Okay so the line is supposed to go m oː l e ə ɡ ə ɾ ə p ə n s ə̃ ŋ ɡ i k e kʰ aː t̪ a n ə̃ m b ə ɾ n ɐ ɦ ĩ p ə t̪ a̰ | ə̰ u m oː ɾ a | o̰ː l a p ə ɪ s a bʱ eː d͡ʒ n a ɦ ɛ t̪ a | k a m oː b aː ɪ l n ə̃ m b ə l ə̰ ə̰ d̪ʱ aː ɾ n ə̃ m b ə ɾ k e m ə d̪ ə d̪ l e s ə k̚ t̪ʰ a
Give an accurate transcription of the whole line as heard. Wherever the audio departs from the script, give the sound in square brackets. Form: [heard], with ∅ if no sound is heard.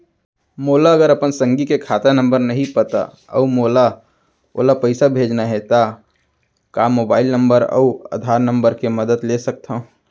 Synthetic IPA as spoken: m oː l [a] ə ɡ ə ɾ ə p ə n s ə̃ ŋ ɡ i k e kʰ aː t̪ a n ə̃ m b ə ɾ n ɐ ɦ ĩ p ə t̪ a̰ | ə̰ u m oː [l] a | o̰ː l a p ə ɪ s a bʱ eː d͡ʒ n a ɦ ɛ t̪ a | k a m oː b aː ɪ l n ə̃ m b ə [ɾ] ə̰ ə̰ d̪ʱ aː ɾ n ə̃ m b ə ɾ k e m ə d̪ ə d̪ l e s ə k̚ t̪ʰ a

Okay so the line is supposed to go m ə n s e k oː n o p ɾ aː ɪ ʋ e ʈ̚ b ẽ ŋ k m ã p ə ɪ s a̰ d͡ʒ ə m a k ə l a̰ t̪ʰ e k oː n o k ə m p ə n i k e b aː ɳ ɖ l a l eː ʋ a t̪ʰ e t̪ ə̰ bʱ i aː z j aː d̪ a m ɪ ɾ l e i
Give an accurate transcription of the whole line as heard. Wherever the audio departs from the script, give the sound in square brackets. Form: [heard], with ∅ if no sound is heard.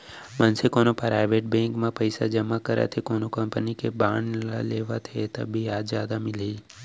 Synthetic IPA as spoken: m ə n s e k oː n o p ɾ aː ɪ ʋ e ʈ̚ b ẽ ŋ k m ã p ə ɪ s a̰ d͡ʒ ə m a k ə [ɾ] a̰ t̪ʰ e k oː n o k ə m p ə n i k e b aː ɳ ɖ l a l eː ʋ a t̪ʰ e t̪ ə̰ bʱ i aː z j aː d̪ a m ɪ [∅] l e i

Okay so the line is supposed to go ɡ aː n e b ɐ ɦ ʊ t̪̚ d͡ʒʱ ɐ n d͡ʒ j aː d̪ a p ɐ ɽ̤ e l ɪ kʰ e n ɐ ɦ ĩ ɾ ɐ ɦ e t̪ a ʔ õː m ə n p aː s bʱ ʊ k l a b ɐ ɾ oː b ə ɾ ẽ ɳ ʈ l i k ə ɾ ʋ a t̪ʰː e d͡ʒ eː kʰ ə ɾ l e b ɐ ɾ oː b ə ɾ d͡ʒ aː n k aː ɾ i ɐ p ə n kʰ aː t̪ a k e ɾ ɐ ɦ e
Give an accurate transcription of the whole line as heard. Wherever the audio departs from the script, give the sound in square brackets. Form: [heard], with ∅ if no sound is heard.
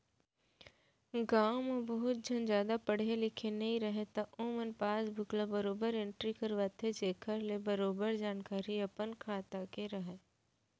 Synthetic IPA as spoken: ɡ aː [m] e b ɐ ɦ ʊ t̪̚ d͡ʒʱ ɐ n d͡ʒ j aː d̪ a p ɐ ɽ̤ e l ɪ kʰ e n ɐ ɦ ĩ ɾ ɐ ɦ e t̪ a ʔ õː m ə n p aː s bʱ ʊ k l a b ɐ ɾ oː b ə ɾ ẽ ɳ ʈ [ɾ] i k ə ɾ ʋ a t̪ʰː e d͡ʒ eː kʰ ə ɾ l e b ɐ ɾ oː b ə ɾ d͡ʒ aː n k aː ɾ i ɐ p ə n kʰ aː t̪ a k e ɾ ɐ ɦ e

